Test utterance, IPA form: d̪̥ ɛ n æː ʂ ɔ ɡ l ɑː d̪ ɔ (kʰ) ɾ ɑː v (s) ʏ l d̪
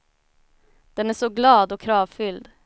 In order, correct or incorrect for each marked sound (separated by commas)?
correct, incorrect